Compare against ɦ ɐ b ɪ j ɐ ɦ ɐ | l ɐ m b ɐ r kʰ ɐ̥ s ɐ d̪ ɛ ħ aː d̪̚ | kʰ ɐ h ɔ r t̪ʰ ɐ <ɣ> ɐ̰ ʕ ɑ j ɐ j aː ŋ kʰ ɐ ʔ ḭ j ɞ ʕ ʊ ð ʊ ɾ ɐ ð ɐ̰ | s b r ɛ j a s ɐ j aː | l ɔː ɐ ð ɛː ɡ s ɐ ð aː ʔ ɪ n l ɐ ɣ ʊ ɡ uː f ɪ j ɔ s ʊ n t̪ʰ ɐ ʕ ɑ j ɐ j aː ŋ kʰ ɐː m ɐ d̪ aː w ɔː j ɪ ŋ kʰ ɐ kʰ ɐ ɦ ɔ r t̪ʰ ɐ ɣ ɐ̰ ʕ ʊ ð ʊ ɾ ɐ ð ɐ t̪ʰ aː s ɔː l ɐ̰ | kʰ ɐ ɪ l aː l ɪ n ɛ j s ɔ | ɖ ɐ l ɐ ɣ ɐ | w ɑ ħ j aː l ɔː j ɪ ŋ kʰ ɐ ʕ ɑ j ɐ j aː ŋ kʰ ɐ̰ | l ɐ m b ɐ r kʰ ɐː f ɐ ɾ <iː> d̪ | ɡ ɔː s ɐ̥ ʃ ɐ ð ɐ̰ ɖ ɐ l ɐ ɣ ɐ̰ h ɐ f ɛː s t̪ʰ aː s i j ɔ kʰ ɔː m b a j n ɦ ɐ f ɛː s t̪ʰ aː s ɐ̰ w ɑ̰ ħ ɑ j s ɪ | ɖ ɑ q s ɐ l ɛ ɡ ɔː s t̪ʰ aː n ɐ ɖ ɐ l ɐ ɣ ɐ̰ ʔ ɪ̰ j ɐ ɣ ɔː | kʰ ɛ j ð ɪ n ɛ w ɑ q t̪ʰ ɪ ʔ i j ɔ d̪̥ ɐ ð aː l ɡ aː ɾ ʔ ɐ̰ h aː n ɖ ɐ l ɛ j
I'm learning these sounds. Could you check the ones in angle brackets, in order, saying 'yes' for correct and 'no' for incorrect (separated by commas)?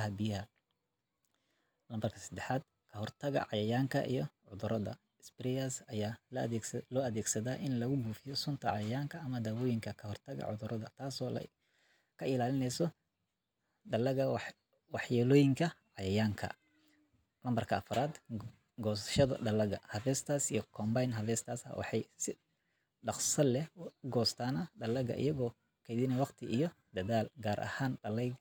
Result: yes, no